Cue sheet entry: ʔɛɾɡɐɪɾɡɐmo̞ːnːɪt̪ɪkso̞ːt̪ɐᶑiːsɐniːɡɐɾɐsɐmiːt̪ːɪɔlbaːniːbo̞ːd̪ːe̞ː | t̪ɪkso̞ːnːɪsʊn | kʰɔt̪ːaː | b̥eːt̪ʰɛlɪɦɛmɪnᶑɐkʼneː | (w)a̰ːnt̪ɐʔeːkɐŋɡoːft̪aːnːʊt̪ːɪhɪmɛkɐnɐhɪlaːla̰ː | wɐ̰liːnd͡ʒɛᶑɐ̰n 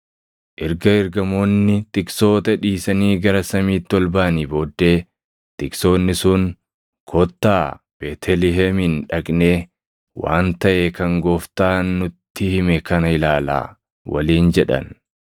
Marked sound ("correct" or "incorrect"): correct